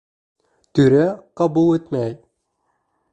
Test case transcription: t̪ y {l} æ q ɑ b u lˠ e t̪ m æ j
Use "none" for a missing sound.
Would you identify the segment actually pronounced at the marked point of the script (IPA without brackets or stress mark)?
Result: ɾ